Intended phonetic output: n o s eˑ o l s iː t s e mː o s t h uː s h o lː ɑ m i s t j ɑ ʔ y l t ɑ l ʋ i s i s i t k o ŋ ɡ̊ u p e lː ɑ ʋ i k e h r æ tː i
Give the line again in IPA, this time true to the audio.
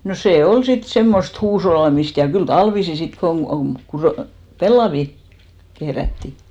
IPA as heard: n o s eˑ o l s i t s e mː o s t h uː s h o lː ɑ m i s t j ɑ k y l t ɑ l ʋ i s i s i t k o ŋ ɡ̊ u p e lː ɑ ʋ i k e h r æ tː i